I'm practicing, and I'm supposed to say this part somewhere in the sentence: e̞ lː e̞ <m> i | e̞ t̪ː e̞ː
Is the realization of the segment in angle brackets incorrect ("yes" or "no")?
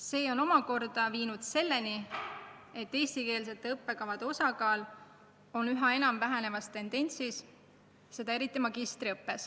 yes